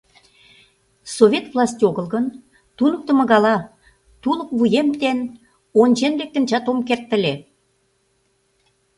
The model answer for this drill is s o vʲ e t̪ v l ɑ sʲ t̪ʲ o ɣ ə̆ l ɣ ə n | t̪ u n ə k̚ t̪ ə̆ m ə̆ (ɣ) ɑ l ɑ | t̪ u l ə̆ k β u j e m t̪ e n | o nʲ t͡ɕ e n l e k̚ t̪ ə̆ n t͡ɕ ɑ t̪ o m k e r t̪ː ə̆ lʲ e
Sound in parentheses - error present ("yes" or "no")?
no